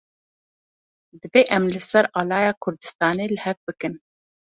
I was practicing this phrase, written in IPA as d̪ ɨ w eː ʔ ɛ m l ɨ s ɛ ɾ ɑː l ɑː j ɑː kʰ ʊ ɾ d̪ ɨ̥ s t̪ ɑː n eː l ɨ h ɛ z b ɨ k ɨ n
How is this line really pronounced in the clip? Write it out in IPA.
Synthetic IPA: d̪ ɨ v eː ʔ ɛ m l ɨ s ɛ ɾ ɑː l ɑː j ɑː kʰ ʊ ɾ d̪ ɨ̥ s t̪ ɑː n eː l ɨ h ɛ v b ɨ k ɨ n